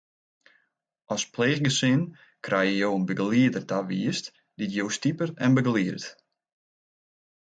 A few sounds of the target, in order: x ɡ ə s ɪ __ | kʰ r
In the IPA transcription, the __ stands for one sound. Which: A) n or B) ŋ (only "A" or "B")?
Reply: A